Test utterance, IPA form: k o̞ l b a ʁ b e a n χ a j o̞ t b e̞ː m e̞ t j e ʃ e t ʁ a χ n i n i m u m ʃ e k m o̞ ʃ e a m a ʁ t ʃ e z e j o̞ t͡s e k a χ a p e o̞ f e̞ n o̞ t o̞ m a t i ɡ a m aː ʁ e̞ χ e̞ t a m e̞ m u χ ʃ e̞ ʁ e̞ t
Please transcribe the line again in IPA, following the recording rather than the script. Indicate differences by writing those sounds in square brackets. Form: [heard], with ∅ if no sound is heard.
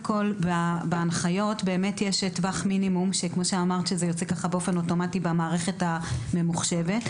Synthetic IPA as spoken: k o̞ l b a [∅] b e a n χ a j o̞ t b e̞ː m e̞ t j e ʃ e t [v] a χ [m] i n i m u m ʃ e k m o̞ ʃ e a m a ʁ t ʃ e z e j o̞ t͡s e k a χ a [b] e o̞ f e̞ n o̞ t o̞ m a t i [b] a m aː ʁ e̞ χ e̞ t a m e̞ m u χ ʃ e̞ [v] e̞ t